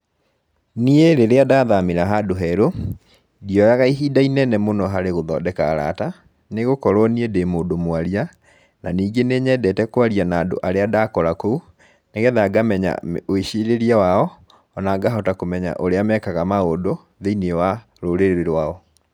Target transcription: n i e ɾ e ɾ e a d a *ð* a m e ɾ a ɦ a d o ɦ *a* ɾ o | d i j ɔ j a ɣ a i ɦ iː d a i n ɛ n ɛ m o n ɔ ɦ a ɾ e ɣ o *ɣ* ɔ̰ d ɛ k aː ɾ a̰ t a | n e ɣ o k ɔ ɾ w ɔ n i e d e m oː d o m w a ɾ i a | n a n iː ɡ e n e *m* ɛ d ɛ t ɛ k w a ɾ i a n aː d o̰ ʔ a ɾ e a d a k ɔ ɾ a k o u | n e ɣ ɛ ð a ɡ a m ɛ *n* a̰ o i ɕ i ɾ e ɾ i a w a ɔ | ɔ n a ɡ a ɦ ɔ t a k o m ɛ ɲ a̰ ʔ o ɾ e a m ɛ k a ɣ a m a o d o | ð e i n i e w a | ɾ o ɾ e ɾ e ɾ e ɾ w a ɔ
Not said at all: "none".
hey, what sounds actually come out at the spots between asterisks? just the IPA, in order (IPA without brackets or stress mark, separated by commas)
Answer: ð, ɛ, ð, ɲ, ɲ